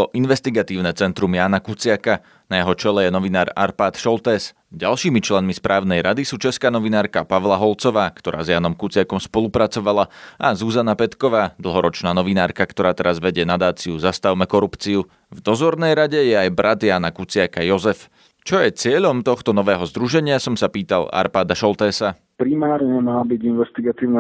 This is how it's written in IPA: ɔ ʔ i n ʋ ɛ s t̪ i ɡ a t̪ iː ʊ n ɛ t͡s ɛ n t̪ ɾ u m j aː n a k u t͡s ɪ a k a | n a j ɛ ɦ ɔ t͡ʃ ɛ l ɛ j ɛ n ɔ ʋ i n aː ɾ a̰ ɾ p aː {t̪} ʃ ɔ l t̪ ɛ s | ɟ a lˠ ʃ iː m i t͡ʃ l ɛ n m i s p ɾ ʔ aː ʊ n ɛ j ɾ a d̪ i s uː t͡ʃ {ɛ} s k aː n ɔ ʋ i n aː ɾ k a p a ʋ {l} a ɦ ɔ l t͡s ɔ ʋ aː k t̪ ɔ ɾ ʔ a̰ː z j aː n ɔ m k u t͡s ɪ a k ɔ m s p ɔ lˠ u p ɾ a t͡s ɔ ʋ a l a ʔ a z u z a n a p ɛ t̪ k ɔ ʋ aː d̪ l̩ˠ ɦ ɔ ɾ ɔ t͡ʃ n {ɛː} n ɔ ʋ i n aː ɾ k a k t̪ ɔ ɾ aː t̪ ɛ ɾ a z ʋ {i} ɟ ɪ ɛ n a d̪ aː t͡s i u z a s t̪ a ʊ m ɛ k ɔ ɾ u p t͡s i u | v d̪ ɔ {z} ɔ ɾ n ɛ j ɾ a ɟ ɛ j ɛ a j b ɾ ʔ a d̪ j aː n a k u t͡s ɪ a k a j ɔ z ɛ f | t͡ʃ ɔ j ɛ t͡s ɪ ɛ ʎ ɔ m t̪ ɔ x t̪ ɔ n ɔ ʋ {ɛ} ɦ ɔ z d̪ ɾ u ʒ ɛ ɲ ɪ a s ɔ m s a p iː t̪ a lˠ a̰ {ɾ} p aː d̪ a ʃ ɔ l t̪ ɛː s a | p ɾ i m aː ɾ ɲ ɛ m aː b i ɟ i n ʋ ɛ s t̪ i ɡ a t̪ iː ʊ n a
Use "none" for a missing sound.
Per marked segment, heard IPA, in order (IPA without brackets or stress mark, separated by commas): t̪, ɛ, l, aː, ɛ, z, ɛː, ɾ